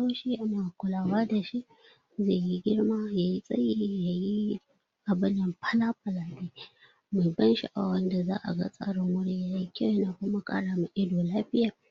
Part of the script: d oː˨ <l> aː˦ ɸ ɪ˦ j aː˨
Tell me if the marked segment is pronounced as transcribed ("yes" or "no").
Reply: yes